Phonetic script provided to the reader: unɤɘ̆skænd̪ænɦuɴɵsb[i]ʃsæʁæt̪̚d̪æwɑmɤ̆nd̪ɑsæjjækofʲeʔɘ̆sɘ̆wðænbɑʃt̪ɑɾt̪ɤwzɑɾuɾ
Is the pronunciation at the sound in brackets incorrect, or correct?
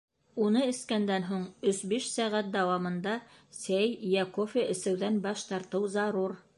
correct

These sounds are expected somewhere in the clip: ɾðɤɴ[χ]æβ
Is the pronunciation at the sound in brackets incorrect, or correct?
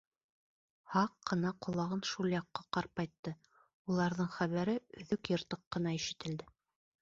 correct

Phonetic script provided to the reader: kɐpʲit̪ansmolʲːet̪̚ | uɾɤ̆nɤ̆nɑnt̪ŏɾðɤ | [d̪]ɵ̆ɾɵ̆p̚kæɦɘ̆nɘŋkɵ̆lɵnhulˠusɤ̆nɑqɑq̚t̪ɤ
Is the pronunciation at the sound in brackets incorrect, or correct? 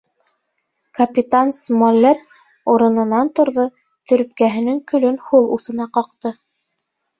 incorrect: t̪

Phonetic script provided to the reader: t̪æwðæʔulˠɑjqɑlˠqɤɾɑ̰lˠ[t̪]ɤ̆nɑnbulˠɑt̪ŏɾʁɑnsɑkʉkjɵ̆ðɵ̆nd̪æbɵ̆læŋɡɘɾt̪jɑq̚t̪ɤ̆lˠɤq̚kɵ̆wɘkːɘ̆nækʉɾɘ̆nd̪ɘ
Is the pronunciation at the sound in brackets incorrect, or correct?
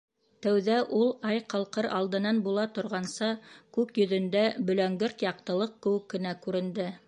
incorrect: d̪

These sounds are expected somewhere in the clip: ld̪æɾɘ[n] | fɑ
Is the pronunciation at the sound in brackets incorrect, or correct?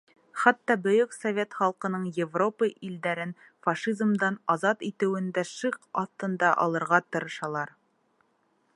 correct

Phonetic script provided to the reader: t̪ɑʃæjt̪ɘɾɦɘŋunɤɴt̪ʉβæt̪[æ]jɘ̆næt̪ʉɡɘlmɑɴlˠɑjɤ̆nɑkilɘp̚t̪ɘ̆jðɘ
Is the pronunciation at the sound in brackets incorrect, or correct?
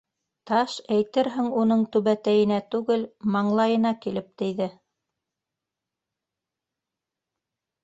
correct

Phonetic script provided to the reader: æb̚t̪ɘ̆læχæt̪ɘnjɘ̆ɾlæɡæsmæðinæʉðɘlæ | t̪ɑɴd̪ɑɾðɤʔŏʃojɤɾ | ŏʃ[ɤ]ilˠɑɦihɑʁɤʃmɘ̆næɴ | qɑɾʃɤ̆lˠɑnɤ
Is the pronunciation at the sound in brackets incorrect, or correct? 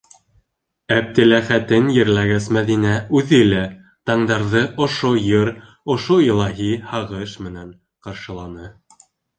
incorrect: o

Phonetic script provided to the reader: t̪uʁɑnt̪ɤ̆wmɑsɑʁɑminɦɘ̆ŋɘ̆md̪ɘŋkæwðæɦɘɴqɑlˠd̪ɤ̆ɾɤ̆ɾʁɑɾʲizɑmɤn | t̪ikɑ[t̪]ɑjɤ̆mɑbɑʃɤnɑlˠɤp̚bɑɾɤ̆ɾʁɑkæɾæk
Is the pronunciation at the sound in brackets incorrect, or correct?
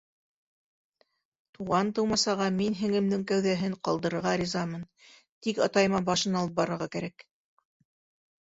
correct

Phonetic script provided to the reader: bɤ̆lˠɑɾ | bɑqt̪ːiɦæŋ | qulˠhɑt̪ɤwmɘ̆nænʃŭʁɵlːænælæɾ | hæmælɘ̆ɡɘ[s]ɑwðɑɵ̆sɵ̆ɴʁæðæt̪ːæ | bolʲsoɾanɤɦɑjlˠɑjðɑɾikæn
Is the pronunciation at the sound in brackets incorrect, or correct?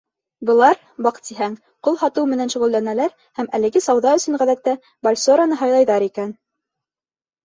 correct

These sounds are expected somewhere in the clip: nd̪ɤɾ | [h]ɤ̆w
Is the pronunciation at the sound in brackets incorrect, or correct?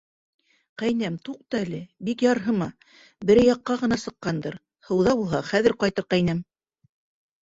correct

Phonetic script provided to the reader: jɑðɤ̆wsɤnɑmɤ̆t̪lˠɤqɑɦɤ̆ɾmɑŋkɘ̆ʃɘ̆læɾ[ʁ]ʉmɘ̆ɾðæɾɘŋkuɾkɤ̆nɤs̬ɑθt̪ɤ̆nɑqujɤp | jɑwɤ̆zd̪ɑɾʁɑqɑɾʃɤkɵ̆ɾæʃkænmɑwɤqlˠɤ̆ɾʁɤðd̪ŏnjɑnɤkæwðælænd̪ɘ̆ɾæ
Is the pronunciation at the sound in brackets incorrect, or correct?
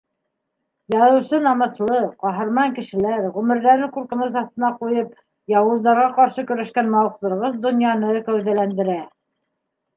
correct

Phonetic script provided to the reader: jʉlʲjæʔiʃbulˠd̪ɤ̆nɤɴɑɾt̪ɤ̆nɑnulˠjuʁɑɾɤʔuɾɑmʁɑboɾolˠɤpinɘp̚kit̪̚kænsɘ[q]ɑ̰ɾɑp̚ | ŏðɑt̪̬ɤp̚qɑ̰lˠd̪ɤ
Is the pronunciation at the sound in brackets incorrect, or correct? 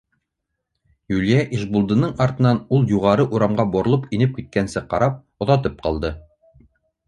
correct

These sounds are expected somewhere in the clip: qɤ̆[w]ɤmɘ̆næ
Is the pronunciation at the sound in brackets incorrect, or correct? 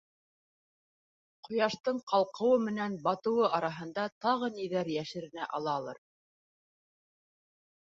correct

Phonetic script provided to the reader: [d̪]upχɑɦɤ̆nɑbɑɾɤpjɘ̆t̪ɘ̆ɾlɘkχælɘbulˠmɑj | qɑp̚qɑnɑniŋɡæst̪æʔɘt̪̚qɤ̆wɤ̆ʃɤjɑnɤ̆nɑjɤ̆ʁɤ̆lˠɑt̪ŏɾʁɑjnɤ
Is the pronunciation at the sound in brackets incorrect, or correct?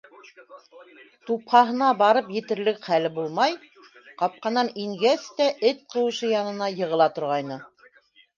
incorrect: t̪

